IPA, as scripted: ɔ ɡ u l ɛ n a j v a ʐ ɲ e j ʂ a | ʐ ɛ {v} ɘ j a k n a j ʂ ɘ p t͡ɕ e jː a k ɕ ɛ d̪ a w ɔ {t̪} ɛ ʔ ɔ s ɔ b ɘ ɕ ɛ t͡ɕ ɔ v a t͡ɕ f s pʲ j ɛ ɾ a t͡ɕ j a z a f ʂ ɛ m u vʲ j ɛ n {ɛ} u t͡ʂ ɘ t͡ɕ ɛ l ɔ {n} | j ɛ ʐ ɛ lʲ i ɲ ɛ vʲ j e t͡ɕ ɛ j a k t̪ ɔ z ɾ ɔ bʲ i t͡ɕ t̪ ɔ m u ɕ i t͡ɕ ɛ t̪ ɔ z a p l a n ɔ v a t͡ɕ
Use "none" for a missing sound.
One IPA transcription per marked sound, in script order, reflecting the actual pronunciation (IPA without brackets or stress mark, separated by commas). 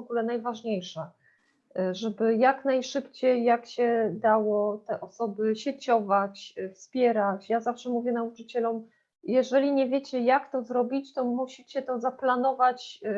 b, t̪, a, m